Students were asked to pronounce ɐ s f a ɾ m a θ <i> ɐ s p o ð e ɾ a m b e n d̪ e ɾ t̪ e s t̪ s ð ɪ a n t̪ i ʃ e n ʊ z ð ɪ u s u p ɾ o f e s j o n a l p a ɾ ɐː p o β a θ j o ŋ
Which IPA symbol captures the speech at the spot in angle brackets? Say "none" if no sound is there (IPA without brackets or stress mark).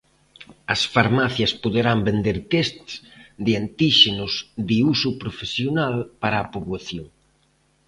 j